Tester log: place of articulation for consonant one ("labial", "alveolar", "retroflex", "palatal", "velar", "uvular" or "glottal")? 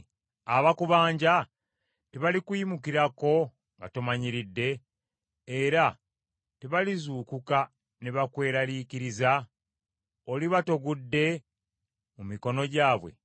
labial